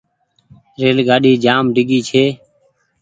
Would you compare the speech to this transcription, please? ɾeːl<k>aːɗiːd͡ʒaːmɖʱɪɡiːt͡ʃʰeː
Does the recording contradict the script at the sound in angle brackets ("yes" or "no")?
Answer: yes